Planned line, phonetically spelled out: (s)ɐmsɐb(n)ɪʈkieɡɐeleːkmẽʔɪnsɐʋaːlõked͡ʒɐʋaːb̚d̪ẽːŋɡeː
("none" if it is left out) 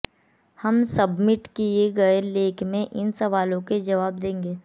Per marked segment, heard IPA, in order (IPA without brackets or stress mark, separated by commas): h, m